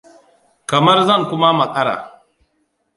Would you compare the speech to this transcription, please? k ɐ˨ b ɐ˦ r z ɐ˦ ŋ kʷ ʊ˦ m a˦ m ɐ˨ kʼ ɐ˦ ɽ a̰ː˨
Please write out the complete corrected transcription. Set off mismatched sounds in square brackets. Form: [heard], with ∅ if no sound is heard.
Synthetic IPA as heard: k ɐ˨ [m] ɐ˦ r z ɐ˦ ŋ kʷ ʊ˦ m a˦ m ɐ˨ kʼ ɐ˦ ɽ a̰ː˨